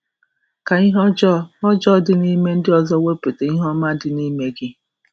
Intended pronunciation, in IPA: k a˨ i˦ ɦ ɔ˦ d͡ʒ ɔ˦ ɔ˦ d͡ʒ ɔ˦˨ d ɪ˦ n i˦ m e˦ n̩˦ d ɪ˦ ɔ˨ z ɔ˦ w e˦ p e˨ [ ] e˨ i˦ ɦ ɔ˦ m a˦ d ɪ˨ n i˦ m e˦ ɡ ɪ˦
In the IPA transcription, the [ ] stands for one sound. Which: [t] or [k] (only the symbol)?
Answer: t